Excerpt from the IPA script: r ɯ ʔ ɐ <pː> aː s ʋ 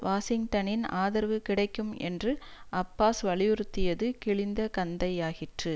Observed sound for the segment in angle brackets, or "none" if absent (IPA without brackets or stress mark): pː